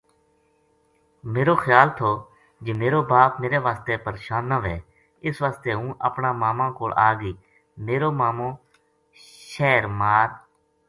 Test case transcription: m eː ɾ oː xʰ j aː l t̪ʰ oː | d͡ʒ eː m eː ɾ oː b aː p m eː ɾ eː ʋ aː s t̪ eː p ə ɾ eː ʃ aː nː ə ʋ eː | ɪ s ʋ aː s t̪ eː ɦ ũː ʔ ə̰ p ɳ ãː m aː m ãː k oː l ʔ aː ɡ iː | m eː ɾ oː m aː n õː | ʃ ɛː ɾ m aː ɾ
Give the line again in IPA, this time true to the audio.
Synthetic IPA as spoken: m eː ɾ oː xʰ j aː l t̪ʰ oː | d͡ʒ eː m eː ɾ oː b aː p m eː ɾ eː ʋ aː s t̪ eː p ə ɾ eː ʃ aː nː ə ʋ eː | ɪ s ʋ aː s t̪ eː ɦ ũː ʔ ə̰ p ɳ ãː m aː m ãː k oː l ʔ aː ɡ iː | m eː ɾ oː m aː m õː | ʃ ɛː ɾ m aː ɾ